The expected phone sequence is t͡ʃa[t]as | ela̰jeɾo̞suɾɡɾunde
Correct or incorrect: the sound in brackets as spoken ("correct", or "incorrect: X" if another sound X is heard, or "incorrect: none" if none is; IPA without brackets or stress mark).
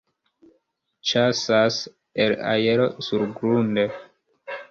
incorrect: s